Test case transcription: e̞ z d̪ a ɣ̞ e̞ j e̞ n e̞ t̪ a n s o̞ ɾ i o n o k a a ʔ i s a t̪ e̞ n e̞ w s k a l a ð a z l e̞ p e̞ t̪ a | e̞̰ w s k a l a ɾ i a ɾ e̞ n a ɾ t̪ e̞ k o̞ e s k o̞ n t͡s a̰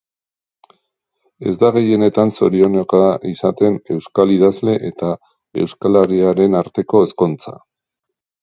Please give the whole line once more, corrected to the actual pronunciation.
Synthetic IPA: e̞ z d̪ a ɣ̞ e̞ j e̞ n e̞ t̪ a n s o̞ ɾ i o n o k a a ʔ i s a t̪ e̞ n e̞ w s k a l i ð a z l e̞ ʔ e̞ t̪ a | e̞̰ w s k a l a ɾ i a ɾ e̞ n a ɾ t̪ e̞ k o̞ e s k o̞ n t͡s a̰